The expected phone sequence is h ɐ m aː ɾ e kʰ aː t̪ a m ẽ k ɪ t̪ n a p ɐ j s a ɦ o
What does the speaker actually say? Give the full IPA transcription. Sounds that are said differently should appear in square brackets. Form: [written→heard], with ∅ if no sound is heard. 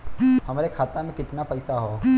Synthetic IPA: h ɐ m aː ɾ e kʰ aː t̪ a m ẽ k ɪ t̪ n a p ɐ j s a ɦ o